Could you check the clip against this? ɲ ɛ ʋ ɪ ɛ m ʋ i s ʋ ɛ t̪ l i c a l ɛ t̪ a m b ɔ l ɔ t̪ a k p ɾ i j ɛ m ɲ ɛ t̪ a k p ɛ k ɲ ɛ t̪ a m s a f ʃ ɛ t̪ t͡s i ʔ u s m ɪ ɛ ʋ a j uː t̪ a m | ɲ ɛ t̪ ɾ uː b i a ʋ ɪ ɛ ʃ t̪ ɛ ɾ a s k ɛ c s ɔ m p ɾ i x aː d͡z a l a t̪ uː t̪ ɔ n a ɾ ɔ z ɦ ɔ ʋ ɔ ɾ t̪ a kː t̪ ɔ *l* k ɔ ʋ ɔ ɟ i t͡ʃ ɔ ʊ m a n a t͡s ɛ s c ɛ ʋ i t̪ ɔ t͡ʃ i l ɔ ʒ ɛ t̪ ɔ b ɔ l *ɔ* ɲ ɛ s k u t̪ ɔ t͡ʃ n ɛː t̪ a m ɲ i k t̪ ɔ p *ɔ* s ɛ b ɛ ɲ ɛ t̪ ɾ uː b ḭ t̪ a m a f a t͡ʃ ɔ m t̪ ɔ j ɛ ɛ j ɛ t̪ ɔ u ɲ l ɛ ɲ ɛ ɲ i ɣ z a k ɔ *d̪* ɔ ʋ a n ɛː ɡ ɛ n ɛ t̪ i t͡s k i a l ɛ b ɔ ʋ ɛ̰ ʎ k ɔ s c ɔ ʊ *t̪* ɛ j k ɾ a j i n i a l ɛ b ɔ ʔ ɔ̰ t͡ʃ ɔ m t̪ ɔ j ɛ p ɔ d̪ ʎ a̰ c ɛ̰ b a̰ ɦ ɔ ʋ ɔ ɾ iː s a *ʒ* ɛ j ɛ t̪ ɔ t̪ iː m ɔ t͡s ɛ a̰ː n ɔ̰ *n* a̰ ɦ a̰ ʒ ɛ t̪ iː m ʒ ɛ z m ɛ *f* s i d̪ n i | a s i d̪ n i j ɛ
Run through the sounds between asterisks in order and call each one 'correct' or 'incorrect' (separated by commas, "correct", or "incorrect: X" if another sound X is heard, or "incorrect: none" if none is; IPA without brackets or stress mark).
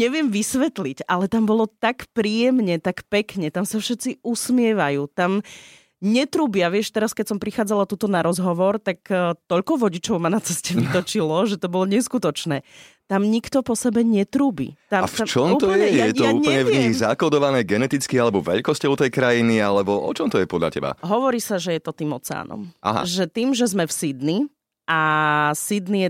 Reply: incorrect: ʎ, correct, correct, correct, correct, correct, incorrect: m, correct